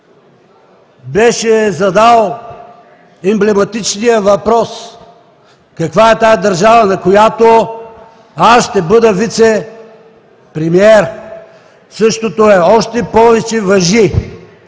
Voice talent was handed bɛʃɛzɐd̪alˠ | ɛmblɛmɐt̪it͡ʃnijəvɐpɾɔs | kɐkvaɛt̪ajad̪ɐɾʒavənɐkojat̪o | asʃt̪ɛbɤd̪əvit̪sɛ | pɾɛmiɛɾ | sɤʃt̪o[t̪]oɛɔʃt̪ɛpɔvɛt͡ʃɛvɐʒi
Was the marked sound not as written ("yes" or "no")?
no